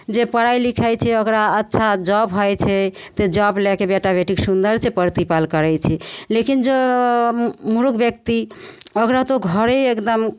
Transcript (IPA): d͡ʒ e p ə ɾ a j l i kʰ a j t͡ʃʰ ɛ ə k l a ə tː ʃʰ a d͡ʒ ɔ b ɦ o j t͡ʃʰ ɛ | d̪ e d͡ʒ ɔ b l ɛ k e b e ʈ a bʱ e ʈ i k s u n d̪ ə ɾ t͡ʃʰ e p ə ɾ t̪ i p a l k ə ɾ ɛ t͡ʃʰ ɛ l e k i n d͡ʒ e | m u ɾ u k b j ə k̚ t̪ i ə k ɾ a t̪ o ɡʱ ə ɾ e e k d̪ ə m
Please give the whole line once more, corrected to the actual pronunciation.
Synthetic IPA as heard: d͡ʒ e p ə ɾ a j l i kʰ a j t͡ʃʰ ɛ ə k ɾ a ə tː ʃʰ a d͡ʒ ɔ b ɦ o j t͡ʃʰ ɛ | t̪ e d͡ʒ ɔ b l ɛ k e b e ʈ a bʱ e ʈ i k s u n d̪ ə ɾ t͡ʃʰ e p ə ɾ t̪ i p a l k ə ɾ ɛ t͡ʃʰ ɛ l e k i n d͡ʒ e | m u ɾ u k b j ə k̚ t̪ i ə k ɾ a t̪ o ɡʱ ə ɾ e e k d̪ ə m